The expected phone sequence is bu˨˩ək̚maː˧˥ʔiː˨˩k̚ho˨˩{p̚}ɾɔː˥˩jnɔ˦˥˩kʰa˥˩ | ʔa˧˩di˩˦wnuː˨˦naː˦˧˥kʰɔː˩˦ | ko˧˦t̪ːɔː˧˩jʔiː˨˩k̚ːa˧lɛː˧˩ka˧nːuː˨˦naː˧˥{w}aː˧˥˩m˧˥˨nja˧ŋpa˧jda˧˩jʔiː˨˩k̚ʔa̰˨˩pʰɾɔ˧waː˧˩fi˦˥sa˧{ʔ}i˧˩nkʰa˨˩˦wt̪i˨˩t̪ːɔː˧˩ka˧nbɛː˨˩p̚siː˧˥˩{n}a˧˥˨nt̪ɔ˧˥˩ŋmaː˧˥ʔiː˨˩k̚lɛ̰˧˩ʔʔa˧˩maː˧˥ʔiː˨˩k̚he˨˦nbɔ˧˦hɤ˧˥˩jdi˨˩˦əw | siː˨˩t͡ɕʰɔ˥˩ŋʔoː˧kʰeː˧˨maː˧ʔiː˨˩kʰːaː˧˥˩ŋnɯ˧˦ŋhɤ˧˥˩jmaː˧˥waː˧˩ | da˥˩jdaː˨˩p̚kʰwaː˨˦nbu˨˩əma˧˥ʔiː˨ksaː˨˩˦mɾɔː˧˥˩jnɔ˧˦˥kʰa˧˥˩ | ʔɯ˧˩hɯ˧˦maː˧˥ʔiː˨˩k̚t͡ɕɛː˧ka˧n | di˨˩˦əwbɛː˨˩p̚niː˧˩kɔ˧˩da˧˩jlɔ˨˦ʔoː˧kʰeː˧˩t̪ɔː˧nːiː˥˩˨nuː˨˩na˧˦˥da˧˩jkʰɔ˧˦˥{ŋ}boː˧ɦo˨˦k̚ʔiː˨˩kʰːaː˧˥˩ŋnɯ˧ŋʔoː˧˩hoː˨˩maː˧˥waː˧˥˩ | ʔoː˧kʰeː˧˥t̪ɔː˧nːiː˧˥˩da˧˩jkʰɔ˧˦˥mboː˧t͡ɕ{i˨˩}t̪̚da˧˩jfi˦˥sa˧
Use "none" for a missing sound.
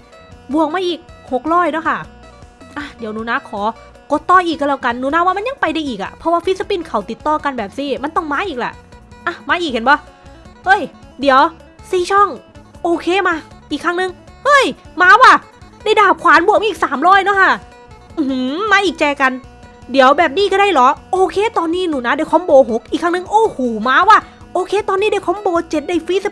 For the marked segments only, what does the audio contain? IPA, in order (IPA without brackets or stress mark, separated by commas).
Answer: k̚, w, p, m, m, e˨˩